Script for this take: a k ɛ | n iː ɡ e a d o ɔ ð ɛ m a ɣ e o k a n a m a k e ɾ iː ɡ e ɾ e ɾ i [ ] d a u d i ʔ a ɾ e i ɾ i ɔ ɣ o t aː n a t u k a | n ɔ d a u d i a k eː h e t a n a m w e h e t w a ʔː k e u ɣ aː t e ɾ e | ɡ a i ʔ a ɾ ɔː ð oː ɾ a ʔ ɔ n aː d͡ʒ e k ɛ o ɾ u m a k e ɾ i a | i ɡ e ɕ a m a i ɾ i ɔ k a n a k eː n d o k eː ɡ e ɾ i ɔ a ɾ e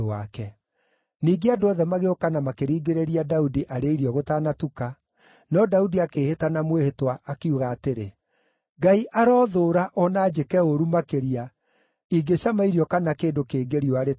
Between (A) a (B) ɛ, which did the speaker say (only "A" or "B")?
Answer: A